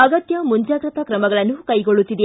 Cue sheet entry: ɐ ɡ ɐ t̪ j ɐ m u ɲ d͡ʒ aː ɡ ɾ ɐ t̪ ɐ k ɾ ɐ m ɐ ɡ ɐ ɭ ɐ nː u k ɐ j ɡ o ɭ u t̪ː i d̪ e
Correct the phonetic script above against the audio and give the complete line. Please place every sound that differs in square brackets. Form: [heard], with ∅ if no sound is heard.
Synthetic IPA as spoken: ɐ ɡ ɐ t̪ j ɐ m u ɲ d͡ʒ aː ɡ ɾ ɐ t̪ ɐ k ɾ ɐ m ɐ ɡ ɐ ɭ ɐ nː u k ɐ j ɡ o ɭ u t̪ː i d̪ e